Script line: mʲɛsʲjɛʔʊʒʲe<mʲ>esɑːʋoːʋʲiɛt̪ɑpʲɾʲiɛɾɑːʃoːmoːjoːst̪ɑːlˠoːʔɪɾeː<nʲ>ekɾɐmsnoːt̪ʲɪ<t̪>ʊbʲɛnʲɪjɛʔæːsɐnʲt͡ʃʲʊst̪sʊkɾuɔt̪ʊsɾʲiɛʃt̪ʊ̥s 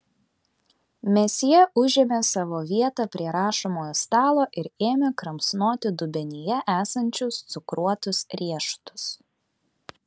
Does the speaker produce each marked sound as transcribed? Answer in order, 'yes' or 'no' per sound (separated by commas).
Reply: yes, no, no